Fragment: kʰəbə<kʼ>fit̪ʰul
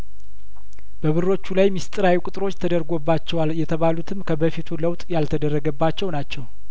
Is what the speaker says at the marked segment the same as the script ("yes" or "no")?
no